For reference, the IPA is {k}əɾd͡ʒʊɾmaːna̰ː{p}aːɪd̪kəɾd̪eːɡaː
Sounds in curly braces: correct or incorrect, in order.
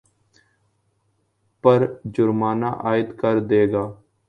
incorrect: p, incorrect: ʔ

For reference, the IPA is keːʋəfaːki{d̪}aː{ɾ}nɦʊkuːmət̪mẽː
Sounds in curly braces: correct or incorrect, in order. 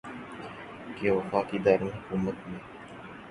correct, correct

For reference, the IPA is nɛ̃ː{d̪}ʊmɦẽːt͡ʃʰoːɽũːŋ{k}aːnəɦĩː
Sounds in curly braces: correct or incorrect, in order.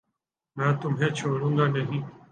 incorrect: t̪, incorrect: ɡ

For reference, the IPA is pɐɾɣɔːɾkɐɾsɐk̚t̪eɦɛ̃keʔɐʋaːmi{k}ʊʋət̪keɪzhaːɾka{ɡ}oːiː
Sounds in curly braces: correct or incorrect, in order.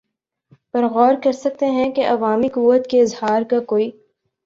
correct, incorrect: k

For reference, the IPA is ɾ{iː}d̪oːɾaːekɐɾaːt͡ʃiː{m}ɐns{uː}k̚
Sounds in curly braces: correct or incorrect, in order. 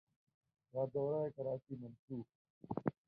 incorrect: aː, correct, correct

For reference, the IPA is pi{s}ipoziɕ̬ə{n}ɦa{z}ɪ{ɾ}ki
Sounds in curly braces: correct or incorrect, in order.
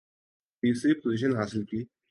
correct, correct, incorrect: s, incorrect: l

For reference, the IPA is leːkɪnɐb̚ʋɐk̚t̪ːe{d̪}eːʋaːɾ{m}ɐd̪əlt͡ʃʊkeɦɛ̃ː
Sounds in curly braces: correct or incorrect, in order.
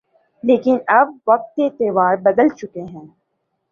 incorrect: t̪, incorrect: b

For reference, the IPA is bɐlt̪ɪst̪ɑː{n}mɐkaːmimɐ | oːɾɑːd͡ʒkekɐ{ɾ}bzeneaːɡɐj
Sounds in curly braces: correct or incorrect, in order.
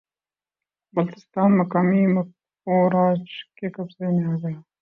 correct, incorrect: none

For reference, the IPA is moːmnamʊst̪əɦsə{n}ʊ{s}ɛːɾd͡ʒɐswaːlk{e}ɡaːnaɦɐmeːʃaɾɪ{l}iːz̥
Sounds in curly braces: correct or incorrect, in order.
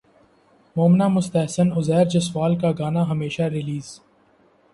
correct, incorrect: z, incorrect: a, correct

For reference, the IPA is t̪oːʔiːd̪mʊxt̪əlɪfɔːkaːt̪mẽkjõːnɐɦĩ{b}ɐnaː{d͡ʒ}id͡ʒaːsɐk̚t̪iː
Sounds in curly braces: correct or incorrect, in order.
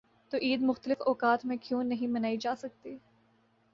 incorrect: m, incorrect: none

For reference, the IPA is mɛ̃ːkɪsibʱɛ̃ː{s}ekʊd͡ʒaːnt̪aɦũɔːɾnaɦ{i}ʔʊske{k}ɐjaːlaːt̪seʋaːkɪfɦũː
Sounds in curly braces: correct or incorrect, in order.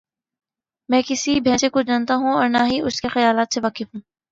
correct, correct, incorrect: x

